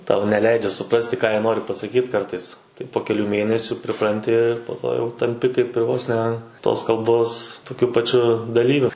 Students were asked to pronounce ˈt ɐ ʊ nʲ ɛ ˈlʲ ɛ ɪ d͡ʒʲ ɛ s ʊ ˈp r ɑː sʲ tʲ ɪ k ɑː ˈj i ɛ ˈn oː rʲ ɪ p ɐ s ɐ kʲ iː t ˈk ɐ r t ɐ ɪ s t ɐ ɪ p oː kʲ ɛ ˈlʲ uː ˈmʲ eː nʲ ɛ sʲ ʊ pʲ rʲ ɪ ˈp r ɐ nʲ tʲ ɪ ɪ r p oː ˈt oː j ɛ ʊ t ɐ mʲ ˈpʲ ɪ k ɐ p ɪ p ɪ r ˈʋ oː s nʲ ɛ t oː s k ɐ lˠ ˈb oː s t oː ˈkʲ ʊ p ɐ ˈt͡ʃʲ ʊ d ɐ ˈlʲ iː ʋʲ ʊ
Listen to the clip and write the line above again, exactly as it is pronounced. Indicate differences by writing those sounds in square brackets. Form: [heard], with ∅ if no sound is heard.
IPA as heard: ˈt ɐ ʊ nʲ ɛ ˈlʲ ɛ ɪ d͡ʒʲ ɛ s ʊ ˈp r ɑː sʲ tʲ ɪ k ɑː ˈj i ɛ ˈn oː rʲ ɪ p ɐ s ɐ kʲ iː t ˈk ɐ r t ɐ ɪ s t ɐ ɪ p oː kʲ ɛ ˈlʲ uː ˈmʲ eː nʲ ɛ sʲ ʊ pʲ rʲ ɪ ˈp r ɐ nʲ tʲ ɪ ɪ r p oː ˈt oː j ɛ ʊ t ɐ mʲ ˈpʲ ɪ k ɐ [∅] ɪ p ɪ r ˈʋ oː s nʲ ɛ t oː s k ɐ lˠ ˈb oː s t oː ˈkʲ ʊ p ɐ ˈt͡ʃʲ ʊ d ɐ ˈlʲ iː ʋʲ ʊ